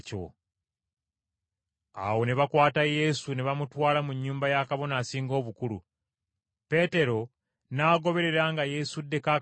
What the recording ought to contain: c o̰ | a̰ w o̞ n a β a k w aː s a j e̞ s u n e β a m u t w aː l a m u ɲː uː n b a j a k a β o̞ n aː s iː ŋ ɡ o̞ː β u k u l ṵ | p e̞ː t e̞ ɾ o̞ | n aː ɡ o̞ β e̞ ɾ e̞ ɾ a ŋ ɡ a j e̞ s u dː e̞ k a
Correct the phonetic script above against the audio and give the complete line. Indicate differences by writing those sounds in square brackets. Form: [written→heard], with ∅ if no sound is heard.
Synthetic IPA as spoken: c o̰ | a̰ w o̞ n [a→e] β a k w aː [s→t] a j e̞ s u n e β a m u t w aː l a m u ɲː uː [n→m] b a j a k a β o̞ n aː s iː ŋ ɡ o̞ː β u k u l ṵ | p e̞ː t e̞ ɾ o̞ | n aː ɡ o̞ β e̞ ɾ e̞ ɾ a ŋ ɡ a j e̞ s u dː e̞ k a

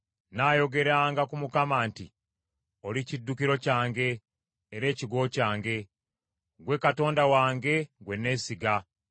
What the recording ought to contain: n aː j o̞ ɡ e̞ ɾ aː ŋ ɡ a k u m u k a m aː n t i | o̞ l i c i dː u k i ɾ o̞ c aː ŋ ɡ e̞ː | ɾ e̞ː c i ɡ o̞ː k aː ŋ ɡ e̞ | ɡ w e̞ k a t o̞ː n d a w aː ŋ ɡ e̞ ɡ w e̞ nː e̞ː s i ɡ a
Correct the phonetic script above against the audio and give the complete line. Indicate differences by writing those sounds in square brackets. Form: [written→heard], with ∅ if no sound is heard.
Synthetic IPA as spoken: n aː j o̞ ɡ e̞ ɾ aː ŋ ɡ a k u m u k a m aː n t i | o̞ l i c i dː u k i ɾ o̞ c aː ŋ ɡ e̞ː | ɾ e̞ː c i ɡ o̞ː [k→c] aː ŋ ɡ e̞ | ɡ w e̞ k a t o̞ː n d a w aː ŋ ɡ e̞ ɡ w e̞ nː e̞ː s i ɡ a

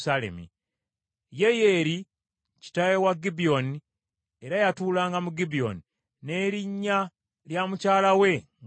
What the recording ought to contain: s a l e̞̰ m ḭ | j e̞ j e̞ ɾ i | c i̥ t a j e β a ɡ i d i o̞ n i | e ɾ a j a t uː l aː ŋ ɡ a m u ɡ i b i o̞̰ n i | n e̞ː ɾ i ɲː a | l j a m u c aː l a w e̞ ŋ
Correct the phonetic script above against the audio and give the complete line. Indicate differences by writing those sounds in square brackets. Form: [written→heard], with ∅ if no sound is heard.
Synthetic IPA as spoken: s a l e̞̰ m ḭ | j e̞ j e̞ ɾ i | c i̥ t a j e [β→w] a ɡ i [d→b] i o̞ n i | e ɾ a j a t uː l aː ŋ ɡ a m u ɡ i b i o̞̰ n i | n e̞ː ɾ i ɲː a | l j a m u c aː l a w e̞ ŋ

